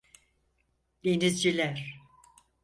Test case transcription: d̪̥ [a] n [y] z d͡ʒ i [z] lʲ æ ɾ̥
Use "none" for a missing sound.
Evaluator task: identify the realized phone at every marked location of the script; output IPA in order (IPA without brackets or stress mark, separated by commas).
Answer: e, i, none